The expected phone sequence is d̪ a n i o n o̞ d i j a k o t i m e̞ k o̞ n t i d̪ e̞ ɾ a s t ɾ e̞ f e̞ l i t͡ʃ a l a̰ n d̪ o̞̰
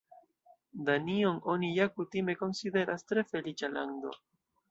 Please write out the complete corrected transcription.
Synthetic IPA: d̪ a n i o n o̞ n i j a k u t i m e̞ k o̞ n s i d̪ e̞ ɾ a s t ɾ e̞ f e̞ l i t͡ʃ a l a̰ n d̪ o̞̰